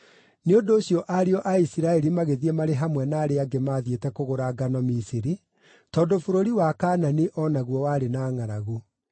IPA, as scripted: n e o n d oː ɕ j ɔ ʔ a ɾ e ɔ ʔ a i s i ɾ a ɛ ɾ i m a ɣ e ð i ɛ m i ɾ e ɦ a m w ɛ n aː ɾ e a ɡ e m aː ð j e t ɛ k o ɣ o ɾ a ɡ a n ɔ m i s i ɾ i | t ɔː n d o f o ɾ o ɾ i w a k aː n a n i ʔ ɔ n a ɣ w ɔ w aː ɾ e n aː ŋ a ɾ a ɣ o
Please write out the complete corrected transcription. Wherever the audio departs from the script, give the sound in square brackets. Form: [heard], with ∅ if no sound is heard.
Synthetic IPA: n e o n d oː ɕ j ɔ ʔ a ɾ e ɔ ʔ a i s i ɾ a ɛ ɾ i m a ɣ e ð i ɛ m [a] ɾ e ɦ a m w ɛ n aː ɾ e a ɡ e m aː ð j e t ɛ k o ɣ o ɾ a ɡ a n ɔ m i s i ɾ i | t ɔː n d o f o ɾ o ɾ i w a k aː n a n i ʔ ɔ n a ɣ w ɔ w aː ɾ e n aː ŋ a ɾ a ɣ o